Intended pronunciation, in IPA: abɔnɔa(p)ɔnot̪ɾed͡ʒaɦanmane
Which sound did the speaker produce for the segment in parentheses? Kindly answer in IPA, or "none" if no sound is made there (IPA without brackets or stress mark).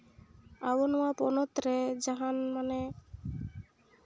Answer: p